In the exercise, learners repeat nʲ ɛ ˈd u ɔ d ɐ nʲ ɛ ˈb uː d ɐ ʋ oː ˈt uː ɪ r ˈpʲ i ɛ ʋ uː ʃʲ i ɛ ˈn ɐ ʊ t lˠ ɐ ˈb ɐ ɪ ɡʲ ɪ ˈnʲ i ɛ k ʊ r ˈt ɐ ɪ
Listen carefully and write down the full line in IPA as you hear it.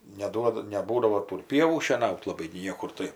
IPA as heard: nʲ ɛ ˈd u ɔ d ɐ nʲ ɛ ˈb uː d ɐ ʋ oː ˈt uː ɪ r ˈpʲ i ɛ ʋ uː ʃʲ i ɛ ˈn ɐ ʊ t lˠ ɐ ˈb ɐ ɪ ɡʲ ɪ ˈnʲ i ɛ k ʊ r ˈt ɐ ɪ